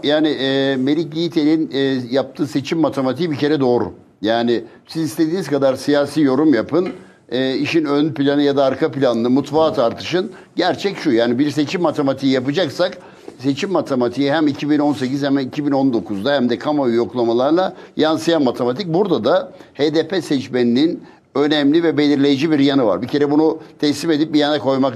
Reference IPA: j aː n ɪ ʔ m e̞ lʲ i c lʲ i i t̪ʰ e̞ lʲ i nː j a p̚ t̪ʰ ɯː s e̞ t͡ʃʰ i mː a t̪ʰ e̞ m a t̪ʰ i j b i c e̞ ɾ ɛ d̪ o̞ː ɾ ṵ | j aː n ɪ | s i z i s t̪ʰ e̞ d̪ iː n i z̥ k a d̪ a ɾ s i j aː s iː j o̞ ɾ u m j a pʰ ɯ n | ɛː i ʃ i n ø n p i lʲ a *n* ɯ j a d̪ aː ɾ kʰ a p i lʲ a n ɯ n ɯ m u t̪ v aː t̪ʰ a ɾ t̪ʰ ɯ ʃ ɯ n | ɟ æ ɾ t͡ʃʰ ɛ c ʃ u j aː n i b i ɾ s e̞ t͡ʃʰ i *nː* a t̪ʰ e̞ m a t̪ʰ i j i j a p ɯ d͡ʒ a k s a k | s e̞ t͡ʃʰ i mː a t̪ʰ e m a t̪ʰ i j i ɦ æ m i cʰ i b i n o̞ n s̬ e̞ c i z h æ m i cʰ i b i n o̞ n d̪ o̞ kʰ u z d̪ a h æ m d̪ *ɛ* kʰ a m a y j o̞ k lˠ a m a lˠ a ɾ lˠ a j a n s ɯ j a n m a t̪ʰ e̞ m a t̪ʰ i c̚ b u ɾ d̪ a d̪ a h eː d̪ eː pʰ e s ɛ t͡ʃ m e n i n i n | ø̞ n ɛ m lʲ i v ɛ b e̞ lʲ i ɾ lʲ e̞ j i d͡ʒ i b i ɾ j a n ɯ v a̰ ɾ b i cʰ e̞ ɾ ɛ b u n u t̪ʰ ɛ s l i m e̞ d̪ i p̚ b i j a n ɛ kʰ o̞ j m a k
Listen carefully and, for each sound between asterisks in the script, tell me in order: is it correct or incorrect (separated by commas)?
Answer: correct, incorrect, correct